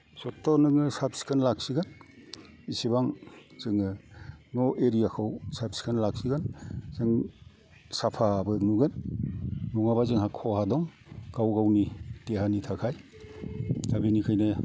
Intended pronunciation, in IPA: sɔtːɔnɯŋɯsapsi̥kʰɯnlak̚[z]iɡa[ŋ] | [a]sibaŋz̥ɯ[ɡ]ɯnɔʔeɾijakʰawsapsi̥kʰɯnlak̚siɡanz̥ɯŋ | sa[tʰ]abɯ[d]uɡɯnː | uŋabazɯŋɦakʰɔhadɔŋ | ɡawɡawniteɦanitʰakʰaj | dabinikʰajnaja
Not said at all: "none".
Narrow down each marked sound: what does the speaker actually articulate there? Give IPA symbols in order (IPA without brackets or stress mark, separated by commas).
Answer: s, n, i, ŋ, pʰ, n